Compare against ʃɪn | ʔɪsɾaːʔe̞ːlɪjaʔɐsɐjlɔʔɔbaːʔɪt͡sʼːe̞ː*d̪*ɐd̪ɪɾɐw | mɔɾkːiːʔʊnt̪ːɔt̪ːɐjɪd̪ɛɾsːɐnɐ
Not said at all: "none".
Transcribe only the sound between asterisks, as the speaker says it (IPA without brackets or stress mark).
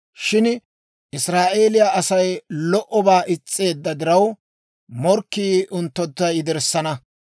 d̪ː